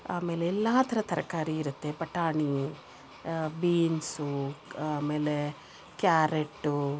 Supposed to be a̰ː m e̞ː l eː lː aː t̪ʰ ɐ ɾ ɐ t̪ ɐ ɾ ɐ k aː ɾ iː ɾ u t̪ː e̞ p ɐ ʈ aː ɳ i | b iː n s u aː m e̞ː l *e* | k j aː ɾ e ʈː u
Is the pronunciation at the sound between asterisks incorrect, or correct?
correct